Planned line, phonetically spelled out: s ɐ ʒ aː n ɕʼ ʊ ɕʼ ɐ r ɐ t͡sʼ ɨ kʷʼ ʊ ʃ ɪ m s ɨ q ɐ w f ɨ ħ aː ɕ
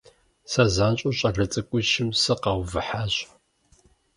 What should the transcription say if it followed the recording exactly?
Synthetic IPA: s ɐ z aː n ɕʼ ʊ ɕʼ ɐ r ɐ t͡sʼ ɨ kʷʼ ʊ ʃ ɪ m s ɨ q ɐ w v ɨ ħ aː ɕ